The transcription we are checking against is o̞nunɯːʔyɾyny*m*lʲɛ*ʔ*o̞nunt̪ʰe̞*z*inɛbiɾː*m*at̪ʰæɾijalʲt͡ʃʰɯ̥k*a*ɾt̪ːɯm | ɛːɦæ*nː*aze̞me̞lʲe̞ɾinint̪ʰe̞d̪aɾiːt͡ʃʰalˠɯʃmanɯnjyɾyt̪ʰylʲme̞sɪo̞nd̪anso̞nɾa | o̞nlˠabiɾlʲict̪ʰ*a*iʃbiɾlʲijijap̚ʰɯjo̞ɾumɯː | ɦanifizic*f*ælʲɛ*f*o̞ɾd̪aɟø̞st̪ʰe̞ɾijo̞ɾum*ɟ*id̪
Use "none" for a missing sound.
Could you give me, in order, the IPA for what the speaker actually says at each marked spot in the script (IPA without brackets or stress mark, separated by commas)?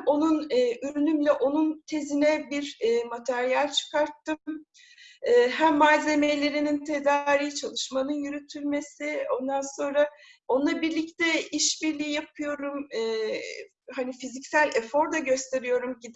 m, ʔ, z, m, a, mː, ɛ, s, f, ɟ